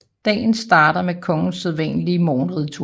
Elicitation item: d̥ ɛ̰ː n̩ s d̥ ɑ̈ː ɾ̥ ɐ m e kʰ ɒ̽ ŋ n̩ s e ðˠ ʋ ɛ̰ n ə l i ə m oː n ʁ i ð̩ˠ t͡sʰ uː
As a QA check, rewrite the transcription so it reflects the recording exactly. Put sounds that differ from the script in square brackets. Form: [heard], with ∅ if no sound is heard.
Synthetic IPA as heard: d̥ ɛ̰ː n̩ s d̥ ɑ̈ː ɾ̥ ɐ m e kʰ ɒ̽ ŋ n̩ s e ðˠ ʋ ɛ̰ n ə l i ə m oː n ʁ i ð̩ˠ t͡sʰ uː